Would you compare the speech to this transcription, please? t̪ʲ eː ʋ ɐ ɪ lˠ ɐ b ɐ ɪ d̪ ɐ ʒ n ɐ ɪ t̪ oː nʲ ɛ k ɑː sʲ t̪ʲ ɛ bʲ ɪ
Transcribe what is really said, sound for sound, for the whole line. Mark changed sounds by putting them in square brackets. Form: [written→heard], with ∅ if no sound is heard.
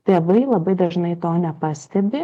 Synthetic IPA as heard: t̪ʲ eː ʋ ɐ ɪ lˠ ɐ b ɐ ɪ d̪ ɐ ʒ n ɐ ɪ t̪ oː nʲ ɛ [k→p] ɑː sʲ t̪ʲ ɛ bʲ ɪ